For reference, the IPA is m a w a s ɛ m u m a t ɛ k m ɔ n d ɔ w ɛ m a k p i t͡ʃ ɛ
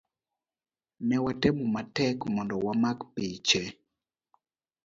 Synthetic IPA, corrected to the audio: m ɛ w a t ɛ m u m a t ɛ k m ɔ n d ɔ w a m a k p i t͡ʃ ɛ